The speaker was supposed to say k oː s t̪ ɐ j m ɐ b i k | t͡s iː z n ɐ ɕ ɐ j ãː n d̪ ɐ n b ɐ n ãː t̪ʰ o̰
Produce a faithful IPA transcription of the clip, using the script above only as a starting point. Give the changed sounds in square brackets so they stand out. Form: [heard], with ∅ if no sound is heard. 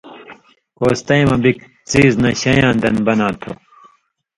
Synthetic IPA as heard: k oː s t̪ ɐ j m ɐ b i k | t͡s iː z n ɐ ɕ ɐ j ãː n d̪ ɐ n b ɐ n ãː t̪ʰ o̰

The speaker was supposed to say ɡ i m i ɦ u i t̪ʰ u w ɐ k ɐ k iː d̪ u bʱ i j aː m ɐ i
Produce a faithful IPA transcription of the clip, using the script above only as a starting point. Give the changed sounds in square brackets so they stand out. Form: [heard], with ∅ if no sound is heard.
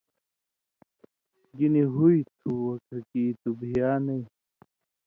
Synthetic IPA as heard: ɡ i [n] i ɦ u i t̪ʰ u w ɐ k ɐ k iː [t̪] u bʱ i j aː [n] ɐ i

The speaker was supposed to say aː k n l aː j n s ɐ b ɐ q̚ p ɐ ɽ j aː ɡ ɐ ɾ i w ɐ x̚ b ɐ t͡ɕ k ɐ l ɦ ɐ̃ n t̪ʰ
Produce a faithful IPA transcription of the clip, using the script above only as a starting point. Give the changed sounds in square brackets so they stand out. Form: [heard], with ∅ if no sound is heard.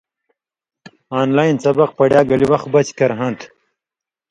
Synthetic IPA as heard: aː [∅] n l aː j n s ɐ b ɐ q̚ p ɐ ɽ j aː ɡ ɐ [l] i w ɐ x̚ b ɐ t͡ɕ k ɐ [ɾ] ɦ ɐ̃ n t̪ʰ

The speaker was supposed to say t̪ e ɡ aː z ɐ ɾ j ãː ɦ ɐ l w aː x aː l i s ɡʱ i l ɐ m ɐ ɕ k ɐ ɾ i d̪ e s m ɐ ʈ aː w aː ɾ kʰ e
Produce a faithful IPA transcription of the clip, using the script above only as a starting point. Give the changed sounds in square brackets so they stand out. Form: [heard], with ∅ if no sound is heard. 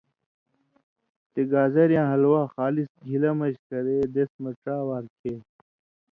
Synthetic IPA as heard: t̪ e ɡ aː z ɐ ɾ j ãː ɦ ɐ l w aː x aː l i s ɡʱ i l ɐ m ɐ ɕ k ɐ ɾ [e] d̪ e s m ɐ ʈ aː w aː ɾ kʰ e

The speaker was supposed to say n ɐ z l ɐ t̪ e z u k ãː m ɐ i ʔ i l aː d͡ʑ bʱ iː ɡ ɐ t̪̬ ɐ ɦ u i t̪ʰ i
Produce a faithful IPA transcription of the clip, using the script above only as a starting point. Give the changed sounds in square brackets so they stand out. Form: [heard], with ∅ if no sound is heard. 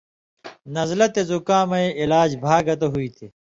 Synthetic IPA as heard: n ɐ z l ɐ t̪ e z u k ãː m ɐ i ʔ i l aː d͡ʑ bʱ [aː] ɡ ɐ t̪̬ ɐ ɦ u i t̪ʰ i

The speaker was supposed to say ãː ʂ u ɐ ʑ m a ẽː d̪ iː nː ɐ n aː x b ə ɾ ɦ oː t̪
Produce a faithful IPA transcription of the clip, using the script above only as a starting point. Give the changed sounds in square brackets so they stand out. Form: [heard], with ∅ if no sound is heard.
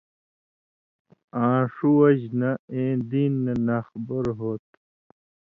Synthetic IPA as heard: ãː ʂ u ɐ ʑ [n] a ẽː d̪ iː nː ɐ n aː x b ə ɾ ɦ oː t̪

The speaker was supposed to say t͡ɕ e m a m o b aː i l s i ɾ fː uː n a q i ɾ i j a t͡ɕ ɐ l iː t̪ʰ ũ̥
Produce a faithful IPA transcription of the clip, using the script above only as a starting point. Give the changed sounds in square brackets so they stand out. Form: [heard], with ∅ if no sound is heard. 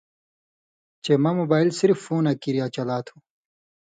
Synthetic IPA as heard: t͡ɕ e m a m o b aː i l s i ɾ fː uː n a [k] i ɾ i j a t͡ɕ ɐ l [aː] t̪ʰ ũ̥

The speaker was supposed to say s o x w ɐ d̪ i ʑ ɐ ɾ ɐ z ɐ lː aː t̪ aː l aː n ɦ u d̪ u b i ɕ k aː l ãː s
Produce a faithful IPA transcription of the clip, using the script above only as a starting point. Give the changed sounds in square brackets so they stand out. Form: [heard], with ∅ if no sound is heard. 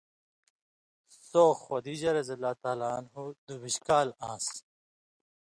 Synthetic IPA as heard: s o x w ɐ d̪ i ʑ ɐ ɾ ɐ z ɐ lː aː t̪ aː l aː n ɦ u d̪ u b i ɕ k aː l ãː s

